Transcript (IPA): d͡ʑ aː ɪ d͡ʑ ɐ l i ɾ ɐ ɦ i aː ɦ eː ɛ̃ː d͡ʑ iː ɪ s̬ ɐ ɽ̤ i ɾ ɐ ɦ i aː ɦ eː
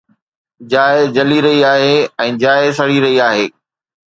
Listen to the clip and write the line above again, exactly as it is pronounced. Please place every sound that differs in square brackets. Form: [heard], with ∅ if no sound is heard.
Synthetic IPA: d͡ʑ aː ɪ d͡ʑ ɐ l i ɾ ɐ ɦ i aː ɦ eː ɛ̃ː d͡ʑ [aː] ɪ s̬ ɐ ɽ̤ i ɾ ɐ ɦ i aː ɦ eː